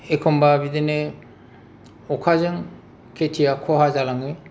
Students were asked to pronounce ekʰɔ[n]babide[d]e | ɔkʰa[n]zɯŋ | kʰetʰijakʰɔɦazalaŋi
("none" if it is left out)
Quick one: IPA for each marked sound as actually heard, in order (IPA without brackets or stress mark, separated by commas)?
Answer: m, n, none